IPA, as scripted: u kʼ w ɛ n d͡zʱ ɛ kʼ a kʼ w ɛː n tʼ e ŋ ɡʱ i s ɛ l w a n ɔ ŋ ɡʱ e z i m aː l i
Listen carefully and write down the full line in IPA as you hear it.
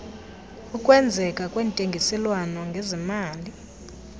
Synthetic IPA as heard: u kʼ w ɛ n d͡zʱ ɛ kʼ a kʼ w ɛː n tʼ e ŋ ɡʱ i s ɛ l w a n ɔ ŋ ɡʱ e z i m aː l i